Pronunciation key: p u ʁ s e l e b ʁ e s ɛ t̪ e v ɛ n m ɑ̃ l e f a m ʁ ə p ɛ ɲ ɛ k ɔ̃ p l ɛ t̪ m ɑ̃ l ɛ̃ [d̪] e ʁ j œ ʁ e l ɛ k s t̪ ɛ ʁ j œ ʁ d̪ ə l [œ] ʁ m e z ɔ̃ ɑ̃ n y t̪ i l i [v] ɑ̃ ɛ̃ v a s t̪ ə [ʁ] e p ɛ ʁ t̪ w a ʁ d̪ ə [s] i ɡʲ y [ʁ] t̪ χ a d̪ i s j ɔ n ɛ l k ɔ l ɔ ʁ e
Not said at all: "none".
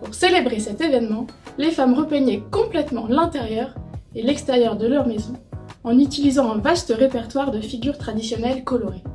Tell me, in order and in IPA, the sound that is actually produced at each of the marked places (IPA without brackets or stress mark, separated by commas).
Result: t̪, œ, z, ʁ, f, ʁ